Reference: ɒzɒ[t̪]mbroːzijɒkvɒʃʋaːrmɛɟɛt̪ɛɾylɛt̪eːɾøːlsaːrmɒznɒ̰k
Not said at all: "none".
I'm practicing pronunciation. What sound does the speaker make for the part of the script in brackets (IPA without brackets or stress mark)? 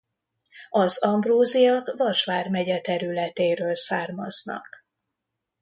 none